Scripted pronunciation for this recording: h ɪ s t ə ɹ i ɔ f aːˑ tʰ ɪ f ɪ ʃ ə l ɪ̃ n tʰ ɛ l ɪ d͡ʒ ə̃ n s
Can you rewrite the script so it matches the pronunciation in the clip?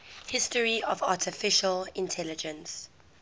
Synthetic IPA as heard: h ɪ s t ə ɹ i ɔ v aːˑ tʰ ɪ f ɪ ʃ ə l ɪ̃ n tʰ ɛ l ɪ d͡ʒ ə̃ n s